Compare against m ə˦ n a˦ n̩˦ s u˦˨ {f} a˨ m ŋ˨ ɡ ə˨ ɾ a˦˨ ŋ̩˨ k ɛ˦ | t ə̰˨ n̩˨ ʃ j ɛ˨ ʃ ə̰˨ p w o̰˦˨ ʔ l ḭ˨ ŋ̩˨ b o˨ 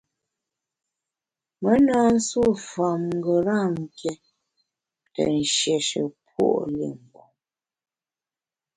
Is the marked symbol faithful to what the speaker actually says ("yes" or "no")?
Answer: yes